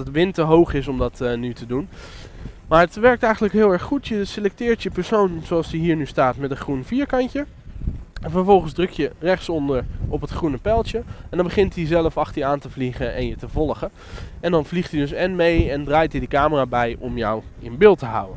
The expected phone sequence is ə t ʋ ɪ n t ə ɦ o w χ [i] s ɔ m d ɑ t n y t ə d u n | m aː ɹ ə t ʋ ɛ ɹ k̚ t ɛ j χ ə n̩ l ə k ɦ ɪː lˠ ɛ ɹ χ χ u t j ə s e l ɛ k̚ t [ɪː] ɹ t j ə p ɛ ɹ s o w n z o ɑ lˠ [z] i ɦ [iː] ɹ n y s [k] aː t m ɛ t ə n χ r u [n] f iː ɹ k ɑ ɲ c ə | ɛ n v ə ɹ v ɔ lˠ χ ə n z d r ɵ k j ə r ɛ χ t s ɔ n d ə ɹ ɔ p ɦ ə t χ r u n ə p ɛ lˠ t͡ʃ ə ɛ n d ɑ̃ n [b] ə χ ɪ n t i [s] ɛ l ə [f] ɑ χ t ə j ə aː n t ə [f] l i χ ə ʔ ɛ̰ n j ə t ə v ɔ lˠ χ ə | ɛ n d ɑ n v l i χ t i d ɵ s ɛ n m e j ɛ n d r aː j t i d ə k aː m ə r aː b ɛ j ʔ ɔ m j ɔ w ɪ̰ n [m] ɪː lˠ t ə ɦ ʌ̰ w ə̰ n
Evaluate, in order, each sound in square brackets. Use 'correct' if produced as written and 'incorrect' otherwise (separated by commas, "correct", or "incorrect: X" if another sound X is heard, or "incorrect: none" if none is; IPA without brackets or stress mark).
incorrect: ɪ, correct, incorrect: s, correct, incorrect: t, correct, correct, incorrect: z, correct, incorrect: v, incorrect: b